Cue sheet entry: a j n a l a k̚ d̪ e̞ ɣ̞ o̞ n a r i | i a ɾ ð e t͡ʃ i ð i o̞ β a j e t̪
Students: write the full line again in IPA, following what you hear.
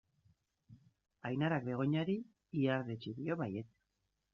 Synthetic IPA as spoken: a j n a ɾ a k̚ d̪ e̞ ɣ̞ o̞ ɲ a ɾ i | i a ɾ ð e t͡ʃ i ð i o̞ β a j e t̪